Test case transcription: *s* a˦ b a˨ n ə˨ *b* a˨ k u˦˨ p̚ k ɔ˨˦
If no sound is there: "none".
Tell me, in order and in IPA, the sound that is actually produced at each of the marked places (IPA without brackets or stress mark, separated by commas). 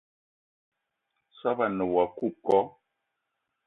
s, w